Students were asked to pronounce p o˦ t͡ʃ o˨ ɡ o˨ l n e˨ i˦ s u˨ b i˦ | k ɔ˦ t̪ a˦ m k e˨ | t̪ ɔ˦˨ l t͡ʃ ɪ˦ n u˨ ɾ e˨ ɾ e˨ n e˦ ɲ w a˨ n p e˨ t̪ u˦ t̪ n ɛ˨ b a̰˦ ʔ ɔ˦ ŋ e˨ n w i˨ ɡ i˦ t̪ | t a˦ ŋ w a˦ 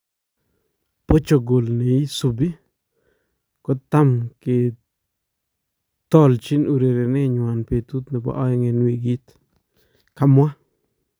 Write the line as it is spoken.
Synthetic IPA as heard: p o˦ t͡ʃ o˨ ɡ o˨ l n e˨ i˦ s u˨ b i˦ | k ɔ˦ t̪ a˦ m k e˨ | t̪ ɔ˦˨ l t͡ʃ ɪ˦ n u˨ ɾ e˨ ɾ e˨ n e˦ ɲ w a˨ n p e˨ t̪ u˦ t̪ n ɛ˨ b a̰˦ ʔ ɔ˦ ŋ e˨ n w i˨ ɡ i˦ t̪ | k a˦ m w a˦

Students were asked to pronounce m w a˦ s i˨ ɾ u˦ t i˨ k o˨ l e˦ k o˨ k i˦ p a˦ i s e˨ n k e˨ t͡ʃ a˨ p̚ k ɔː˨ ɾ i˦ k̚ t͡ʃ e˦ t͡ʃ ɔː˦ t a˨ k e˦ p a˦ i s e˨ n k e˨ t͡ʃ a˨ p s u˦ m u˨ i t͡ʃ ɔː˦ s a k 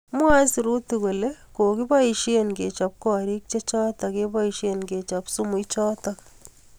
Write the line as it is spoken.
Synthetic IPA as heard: m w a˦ s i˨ ɾ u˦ t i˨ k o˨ l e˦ k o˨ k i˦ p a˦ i ʃ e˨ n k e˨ t͡ʃ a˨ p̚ k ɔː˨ ɾ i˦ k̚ t͡ʃ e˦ t͡ʃ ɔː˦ t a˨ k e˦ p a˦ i ʃ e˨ n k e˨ t͡ʃ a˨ p s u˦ m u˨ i t͡ʃ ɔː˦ t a k

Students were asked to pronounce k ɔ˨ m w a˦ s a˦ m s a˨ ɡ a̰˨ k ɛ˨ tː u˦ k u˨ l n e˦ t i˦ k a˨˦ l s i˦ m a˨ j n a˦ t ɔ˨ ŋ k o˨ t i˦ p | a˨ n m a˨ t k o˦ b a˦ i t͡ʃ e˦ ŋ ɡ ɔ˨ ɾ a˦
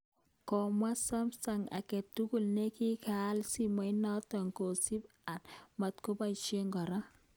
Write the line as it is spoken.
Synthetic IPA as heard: k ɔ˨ m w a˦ s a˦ m s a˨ ŋ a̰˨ k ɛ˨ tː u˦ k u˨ l n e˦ k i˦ k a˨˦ l s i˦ m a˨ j n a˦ t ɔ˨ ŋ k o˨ s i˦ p | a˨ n m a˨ t k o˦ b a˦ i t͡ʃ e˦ ŋ ɡ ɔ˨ ɾ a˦

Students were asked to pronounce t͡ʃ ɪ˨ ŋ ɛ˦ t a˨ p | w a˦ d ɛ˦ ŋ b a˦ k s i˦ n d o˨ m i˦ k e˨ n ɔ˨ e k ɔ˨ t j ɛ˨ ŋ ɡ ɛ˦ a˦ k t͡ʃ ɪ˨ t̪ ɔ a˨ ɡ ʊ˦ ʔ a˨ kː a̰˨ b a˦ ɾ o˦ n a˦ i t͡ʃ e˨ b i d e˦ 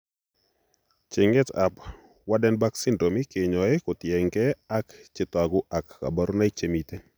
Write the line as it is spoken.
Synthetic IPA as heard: t͡ʃ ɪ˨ ŋ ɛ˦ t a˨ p | w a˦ d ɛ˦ n b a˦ k s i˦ n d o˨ m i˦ k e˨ ɲ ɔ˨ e k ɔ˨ t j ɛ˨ ŋ ɡ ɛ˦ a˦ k t͡ʃ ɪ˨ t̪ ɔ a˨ ɡ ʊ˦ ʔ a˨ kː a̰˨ b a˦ ɾ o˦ n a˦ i t͡ʃ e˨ m i t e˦

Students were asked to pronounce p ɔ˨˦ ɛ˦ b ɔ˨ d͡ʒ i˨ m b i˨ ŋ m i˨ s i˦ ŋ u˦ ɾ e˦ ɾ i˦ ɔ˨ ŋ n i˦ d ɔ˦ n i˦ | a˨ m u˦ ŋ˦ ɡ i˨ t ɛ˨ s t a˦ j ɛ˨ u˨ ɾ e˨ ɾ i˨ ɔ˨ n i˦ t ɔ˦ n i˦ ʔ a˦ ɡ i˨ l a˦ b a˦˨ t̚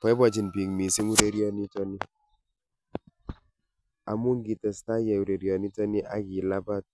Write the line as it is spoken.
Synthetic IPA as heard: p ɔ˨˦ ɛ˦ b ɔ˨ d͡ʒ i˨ n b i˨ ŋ m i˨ s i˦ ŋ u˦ ɾ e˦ ɾ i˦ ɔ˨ n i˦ t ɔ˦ n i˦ | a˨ m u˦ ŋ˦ ɡ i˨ t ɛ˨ s t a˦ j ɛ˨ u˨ ɾ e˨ ɾ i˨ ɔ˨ n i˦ t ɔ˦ n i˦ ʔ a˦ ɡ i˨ l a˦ b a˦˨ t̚

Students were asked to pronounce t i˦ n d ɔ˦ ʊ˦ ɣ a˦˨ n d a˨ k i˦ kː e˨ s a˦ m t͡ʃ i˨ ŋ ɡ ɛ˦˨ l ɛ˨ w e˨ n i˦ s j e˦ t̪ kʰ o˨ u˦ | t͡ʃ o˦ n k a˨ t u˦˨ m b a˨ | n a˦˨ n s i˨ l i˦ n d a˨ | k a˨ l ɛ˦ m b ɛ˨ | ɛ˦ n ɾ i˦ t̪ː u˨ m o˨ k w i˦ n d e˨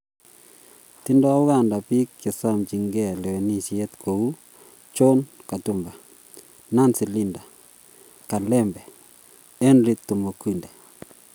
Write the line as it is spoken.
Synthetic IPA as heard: t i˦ n d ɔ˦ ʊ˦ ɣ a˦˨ n d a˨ p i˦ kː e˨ s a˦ m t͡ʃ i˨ ŋ ɡ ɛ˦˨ l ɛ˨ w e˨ n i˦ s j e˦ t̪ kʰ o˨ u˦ | t͡ʃ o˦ n k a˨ t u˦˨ m b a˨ | n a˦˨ n s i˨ l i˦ n d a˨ | k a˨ l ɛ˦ m b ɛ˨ | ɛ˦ n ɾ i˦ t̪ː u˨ m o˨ k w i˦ n d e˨

